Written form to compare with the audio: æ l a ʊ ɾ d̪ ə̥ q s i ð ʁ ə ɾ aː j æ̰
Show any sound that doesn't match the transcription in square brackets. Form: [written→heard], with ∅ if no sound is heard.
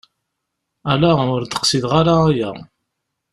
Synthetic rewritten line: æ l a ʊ ɾ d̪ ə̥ q s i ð ʁ [ə→a] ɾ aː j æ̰